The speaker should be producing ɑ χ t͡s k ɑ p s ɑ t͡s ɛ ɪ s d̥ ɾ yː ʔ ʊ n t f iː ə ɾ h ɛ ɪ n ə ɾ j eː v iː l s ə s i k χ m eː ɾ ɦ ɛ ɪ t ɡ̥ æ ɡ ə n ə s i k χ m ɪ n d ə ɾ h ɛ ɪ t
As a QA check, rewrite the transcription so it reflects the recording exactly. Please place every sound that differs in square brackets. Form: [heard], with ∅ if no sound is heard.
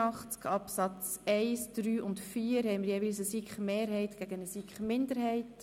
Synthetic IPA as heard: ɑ χ t͡s k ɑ p s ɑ t͡s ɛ ɪ s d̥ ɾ yː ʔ ʊ n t f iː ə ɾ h ɛ ɪ [m] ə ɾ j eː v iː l s ə s i k χ m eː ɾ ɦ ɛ ɪ t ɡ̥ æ ɡ ə n ə s i k χ m ɪ n d ə ɾ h ɛ ɪ t